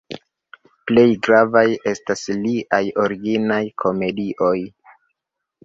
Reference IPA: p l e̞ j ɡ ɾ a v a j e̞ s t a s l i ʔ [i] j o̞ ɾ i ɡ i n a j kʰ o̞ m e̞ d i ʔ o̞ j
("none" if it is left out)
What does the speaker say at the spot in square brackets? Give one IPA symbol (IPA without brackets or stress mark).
a